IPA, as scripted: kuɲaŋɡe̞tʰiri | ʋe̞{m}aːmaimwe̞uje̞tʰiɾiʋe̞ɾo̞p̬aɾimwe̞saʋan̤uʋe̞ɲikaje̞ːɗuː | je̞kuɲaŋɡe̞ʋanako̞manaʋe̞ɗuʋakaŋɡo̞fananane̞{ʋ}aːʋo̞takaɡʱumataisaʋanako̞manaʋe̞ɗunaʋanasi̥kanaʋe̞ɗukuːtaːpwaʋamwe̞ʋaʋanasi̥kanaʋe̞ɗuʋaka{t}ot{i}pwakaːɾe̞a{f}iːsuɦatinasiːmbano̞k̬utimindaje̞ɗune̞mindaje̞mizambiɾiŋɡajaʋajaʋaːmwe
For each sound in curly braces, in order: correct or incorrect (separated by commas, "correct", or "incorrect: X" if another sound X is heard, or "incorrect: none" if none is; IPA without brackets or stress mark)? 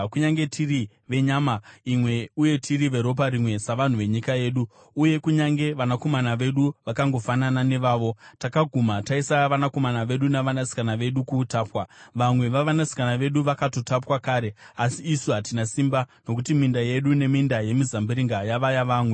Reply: incorrect: ɲ, correct, correct, incorrect: a, incorrect: s